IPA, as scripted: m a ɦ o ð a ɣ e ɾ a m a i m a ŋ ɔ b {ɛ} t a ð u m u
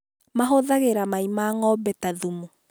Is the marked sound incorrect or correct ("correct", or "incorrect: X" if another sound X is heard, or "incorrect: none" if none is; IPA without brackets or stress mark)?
correct